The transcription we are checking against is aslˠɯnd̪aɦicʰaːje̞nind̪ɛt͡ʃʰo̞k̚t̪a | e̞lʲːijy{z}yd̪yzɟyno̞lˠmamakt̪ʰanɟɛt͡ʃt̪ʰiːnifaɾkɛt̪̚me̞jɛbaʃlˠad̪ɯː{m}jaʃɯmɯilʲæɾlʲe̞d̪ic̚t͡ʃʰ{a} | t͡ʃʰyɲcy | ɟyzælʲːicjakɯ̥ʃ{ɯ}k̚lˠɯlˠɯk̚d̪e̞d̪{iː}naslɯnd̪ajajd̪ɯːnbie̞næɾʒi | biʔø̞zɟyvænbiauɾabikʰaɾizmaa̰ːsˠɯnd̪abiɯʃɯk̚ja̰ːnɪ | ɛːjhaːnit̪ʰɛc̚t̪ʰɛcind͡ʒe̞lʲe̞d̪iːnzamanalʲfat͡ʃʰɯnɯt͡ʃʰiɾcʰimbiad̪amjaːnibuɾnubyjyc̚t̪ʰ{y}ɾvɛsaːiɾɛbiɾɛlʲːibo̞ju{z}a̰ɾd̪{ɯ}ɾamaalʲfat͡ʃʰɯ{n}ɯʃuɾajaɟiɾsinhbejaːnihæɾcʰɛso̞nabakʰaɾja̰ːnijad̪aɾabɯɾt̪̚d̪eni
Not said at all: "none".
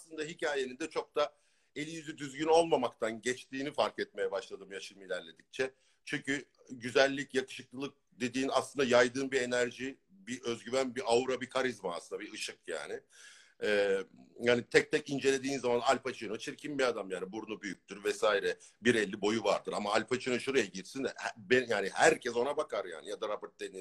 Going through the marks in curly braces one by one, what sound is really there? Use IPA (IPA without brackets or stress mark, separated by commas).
z, m, ɛ, ɯ, iː, y, v, ɯ, n